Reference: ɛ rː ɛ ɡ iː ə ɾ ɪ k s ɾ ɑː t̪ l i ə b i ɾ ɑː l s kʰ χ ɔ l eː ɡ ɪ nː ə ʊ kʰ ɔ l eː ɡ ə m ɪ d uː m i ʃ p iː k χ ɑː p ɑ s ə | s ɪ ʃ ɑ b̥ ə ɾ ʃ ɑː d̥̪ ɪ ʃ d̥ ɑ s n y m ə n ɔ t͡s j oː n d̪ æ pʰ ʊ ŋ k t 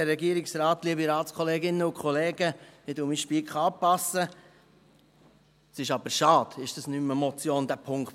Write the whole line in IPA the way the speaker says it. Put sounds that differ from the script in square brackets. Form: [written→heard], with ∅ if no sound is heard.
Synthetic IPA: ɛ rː ɛ ɡ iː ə ɾ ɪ k s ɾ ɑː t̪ l i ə b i ɾ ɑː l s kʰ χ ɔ l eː ɡ ɪ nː ə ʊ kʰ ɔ l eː ɡ ə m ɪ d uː m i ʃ p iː k χ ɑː p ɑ s ə | s ɪ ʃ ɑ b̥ ə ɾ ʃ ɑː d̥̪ ɪ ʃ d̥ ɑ s n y m ə [n→m] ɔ t͡s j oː n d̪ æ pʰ ʊ ŋ k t